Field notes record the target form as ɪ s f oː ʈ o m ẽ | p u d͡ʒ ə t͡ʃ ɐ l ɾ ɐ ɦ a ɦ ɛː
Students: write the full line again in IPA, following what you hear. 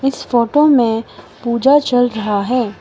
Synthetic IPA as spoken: ɪ s f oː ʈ o m ẽ | p uː d͡ʒ a t͡ʃ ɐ l ɾ ɐ ɦ a ɦ ɛː

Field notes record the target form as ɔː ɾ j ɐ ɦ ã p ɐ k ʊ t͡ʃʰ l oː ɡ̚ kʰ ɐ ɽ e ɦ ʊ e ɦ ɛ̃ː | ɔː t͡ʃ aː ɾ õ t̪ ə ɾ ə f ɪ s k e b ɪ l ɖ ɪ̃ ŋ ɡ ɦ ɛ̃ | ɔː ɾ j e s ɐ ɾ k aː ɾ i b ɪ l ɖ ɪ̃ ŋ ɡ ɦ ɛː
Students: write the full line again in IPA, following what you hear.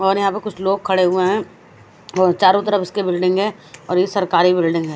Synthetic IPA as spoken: ɔː ɾ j ɐ ɦ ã p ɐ k ʊ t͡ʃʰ l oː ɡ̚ kʰ ɐ ɽ e ɦ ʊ e ɦ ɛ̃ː | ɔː t͡ʃ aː ɾ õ t̪ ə ɾ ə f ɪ s k e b ɪ l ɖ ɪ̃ ŋ ɡ ɦ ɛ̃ | ɔː ɾ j e s ɐ ɾ k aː ɾ i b ɪ l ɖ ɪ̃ ŋ ɡ ɦ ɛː

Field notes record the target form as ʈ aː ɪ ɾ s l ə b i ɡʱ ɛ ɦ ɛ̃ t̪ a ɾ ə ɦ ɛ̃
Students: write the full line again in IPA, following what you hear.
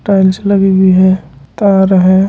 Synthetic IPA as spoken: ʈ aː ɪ l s l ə ɡ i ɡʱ i ɦ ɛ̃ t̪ a ɾ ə ɦ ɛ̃

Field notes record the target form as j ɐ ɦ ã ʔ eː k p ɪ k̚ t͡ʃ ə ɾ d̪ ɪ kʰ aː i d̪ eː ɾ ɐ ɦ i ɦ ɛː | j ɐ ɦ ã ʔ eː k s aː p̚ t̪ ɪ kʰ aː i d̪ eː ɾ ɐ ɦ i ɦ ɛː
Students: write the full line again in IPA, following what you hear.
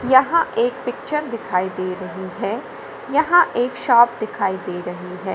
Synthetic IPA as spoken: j ɐ ɦ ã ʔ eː k p ɪ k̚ t͡ʃ ə ɾ d̪ ɪ kʰ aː i d̪ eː ɾ ɐ ɦ i ɦ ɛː | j ɐ ɦ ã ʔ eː k ʃ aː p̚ d̪ ɪ kʰ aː i d̪ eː ɾ ɐ ɦ i ɦ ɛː

